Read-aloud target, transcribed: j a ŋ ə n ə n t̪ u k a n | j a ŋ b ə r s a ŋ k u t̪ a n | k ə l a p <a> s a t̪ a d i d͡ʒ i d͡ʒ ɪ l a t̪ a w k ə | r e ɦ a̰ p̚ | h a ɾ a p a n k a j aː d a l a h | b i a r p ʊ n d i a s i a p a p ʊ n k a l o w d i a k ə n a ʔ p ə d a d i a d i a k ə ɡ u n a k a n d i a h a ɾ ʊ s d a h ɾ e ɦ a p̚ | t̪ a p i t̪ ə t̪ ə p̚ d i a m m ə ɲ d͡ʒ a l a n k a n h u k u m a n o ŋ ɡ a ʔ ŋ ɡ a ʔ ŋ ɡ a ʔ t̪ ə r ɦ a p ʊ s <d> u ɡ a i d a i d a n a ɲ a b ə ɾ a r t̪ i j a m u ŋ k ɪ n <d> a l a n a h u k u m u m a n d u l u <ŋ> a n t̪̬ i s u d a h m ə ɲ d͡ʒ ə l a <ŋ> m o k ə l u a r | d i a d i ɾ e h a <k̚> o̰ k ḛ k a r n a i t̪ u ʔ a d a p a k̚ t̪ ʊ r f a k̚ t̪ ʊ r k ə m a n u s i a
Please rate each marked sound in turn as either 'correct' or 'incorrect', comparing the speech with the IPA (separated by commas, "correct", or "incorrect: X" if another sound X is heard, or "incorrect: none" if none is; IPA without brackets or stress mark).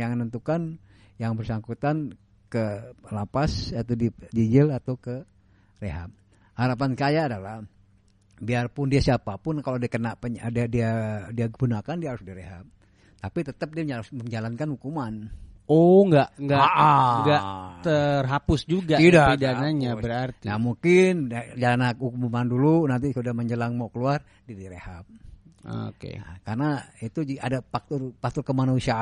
correct, incorrect: d͡ʒ, incorrect: d͡ʒ, incorrect: n, correct, incorrect: p̚